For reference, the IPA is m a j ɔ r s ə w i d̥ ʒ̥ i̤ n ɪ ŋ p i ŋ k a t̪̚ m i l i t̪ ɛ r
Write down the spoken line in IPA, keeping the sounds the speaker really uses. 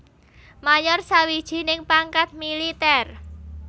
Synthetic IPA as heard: m a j ɔ r s a w i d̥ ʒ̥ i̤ n ɪ ŋ p a ŋ k a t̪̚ m i l i t̪ ɛ r